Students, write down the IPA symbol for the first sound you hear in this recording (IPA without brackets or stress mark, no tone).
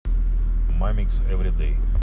m